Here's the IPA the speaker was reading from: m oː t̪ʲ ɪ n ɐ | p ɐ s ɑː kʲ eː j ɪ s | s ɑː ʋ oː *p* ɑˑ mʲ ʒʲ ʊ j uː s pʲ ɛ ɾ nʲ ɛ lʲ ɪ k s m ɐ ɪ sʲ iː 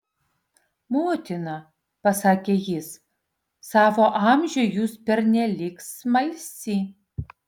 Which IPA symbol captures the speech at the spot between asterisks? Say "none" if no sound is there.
ʔ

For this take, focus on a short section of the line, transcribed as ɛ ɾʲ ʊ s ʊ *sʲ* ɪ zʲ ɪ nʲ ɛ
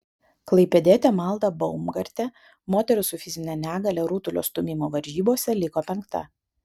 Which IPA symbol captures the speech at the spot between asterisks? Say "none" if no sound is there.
fʲ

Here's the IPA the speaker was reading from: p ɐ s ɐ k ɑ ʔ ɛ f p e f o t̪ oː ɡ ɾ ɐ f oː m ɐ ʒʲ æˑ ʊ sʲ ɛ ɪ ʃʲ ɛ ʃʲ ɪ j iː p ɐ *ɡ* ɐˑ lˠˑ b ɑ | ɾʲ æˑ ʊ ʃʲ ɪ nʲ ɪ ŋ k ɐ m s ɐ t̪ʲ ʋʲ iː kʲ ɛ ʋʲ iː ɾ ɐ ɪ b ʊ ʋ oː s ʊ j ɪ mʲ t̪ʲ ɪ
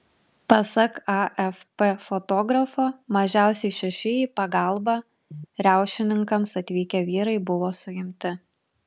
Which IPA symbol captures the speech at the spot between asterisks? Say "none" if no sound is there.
ɡ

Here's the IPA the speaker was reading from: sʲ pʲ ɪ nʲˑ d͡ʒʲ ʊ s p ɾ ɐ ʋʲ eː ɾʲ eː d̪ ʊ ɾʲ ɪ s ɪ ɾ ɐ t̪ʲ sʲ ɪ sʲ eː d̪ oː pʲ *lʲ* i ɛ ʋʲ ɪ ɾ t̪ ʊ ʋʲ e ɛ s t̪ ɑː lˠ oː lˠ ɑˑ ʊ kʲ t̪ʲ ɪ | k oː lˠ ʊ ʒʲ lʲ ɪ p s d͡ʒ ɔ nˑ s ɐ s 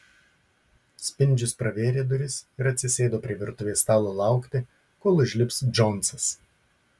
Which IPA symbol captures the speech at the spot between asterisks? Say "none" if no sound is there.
ɾʲ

